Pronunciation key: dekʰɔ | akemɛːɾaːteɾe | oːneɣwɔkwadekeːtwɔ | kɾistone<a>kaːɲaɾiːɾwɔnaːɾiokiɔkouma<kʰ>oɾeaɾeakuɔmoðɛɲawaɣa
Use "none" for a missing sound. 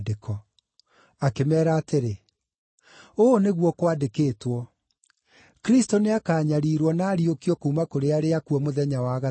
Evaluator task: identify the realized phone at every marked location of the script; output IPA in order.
a, k

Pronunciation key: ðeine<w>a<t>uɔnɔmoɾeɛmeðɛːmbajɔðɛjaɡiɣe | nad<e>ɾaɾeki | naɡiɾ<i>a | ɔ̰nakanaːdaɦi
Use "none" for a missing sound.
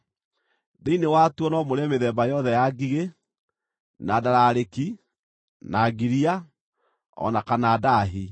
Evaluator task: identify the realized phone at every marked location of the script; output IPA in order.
w, t, a, i

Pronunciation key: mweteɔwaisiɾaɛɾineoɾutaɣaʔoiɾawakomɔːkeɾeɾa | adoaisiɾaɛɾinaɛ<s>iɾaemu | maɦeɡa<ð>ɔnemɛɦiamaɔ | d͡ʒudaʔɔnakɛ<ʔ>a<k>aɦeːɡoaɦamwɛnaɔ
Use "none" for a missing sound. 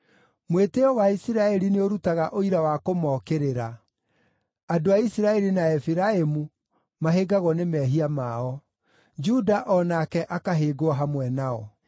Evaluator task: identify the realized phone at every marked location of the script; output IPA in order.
f, ɣ, ʔ, k

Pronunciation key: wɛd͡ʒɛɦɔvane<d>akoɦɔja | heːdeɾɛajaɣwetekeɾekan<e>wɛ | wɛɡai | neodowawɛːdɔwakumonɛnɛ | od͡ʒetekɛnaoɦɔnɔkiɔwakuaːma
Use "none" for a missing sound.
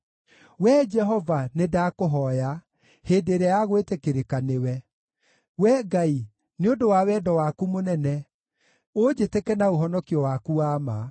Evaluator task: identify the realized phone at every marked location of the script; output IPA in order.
d, e

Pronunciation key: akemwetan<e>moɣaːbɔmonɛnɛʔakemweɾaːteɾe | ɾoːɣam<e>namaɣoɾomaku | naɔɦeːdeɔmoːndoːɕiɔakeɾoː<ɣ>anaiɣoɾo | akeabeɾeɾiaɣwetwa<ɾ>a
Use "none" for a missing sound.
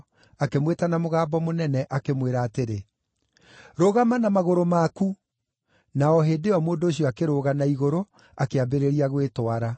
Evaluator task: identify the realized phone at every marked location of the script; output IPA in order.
a, a, ɣ, ɾ

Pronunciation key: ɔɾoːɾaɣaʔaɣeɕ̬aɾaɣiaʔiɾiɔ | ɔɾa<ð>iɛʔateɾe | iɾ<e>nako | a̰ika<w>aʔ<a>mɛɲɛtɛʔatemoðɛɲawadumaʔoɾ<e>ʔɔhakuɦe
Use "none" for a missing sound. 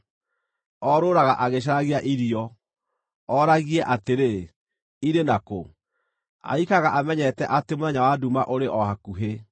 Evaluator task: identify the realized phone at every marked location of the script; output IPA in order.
ɣ, e, ɣ, a, e

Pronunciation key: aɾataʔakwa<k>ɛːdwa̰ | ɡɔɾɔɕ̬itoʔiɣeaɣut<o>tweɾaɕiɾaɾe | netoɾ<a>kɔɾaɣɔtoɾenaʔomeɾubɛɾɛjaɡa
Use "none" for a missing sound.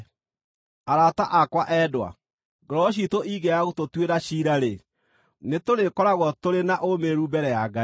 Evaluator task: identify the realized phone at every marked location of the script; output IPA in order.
ʔ, o, e

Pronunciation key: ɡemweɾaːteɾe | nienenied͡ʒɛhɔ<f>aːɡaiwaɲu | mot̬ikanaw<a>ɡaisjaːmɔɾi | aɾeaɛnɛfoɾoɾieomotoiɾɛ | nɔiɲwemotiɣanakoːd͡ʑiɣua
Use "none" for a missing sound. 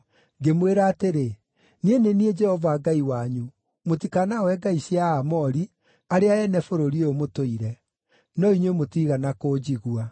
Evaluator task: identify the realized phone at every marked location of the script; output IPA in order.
v, ɛ

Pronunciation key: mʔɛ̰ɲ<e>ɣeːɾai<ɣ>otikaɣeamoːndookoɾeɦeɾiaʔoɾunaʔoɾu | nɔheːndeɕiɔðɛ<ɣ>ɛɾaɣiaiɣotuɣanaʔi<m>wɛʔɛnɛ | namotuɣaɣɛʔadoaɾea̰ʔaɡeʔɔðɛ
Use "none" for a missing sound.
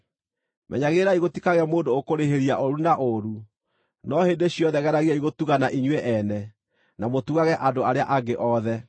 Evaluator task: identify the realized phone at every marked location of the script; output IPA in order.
a, ɣ, ɣ, ɲ

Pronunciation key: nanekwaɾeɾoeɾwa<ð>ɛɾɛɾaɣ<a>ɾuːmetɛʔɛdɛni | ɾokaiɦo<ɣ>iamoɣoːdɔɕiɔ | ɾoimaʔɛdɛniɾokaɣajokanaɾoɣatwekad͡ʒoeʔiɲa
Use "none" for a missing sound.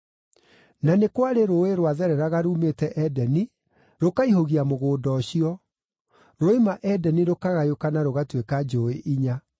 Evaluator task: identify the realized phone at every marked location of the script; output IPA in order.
ð, a, ɣ

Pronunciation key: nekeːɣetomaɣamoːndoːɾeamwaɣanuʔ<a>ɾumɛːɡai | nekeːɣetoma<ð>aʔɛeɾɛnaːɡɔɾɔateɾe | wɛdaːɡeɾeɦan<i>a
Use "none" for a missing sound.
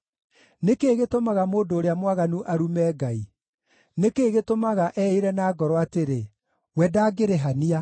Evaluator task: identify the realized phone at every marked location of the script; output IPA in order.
a, ɣ, i

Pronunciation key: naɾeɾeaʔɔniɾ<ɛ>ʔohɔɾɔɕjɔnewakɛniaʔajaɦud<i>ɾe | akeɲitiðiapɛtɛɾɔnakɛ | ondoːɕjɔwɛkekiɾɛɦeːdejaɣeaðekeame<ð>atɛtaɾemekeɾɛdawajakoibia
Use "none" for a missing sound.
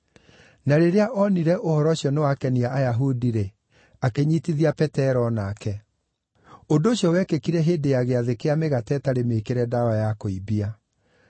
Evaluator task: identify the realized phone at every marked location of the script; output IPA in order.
ɛ, i, ɣ

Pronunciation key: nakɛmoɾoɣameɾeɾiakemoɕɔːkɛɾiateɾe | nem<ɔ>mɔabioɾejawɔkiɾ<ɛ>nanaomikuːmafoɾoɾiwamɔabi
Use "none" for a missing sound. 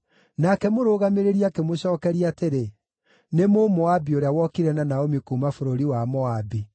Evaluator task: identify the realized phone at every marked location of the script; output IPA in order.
o, ɛ

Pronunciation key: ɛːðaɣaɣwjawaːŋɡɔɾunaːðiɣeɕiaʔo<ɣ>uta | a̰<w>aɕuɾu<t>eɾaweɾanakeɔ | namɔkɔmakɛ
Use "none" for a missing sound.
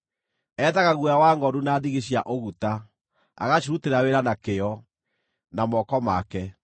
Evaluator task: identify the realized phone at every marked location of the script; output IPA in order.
ɣ, ɣ, t

